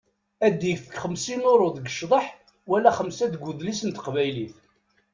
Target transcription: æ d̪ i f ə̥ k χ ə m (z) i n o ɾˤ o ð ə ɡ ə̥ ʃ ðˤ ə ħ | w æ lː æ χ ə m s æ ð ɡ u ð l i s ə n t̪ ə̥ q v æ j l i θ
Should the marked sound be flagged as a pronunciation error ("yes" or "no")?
yes